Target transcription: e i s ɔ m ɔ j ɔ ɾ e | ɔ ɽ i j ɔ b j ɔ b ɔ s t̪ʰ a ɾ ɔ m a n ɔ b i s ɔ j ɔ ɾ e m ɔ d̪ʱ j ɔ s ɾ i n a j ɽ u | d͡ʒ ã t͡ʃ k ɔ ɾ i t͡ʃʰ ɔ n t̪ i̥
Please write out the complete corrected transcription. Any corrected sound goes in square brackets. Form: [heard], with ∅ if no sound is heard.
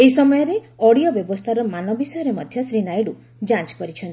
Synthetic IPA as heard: e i s ɔ m ɔ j ɔ ɾ e | ɔ ɽ i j ɔ b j ɔ b ɔ s t̪ʰ a ɾ ɔ m a n ɔ b i s ɔ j ɔ ɾ e m ɔ d̪ʱ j ɔ s ɾ i n a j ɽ u | d͡ʒ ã t͡ʃ k ɔ ɾ i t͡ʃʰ ɔ n t̪ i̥